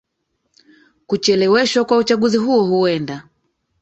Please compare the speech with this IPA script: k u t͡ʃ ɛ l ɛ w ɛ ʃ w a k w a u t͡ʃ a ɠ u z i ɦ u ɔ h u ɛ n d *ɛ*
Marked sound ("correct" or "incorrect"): incorrect